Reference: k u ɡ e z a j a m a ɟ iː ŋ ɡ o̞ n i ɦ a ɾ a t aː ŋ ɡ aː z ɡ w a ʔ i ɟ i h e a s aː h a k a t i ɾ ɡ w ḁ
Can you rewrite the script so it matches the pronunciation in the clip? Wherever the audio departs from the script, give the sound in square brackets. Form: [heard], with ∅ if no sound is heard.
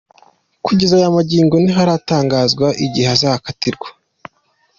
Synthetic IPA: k u [ɟ] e z a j a m a ɟ iː ŋ ɡ o̞ n i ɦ a ɾ a t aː ŋ ɡ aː z ɡ w a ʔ i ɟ i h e a [z] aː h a k a t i ɾ ɡ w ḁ